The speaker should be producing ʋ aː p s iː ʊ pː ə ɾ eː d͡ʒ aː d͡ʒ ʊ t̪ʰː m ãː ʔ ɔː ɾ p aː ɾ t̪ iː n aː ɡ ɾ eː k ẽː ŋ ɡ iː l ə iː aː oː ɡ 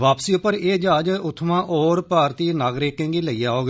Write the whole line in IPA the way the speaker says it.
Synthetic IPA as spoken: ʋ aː p s iː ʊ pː ə ɾ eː d͡ʒ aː d͡ʒ ʊ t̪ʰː m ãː ʔ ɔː ɾ p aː ɾ t̪ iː n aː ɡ ɾ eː k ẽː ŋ ɡ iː l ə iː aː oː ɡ

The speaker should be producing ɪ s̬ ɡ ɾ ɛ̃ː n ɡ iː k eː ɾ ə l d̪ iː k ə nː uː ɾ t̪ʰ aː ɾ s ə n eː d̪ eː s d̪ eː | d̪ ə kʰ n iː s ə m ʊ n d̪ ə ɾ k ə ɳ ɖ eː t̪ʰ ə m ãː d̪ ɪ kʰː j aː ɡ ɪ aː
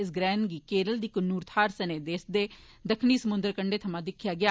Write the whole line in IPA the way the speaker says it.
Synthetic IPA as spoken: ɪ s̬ ɡ ɾ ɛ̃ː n ɡ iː k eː ɾ ə l d̪ iː k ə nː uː ɾ t̪ʰ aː ɾ s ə n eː d̪ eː s d̪ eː | d̪ ə kʰ n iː s ə m ʊ n d̪ ə ɾ k ə ɳ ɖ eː t̪ʰ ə m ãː d̪ ɪ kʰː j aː ɡ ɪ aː

